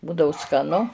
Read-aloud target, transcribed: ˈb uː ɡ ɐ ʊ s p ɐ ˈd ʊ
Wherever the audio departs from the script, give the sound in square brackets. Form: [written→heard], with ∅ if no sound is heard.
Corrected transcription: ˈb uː [ɡ→d] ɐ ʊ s [p→k] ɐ [ˈd→ˈn] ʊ